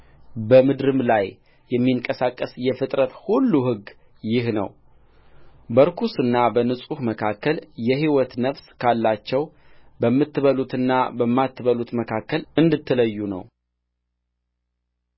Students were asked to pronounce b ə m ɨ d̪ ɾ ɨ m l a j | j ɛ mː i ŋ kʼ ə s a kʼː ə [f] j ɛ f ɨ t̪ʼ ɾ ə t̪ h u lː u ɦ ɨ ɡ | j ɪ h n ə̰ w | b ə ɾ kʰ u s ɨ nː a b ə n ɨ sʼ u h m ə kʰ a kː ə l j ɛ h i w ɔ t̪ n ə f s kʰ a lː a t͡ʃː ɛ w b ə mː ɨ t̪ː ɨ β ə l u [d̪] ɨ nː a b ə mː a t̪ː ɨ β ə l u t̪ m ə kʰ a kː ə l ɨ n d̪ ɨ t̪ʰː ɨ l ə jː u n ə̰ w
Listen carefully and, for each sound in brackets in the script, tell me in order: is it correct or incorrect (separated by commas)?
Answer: incorrect, incorrect